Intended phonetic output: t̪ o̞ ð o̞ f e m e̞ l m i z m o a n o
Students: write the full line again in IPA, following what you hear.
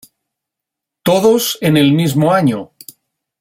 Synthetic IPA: t̪ o̞ ð o̞ s e n e̞ l m i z m o a ɲ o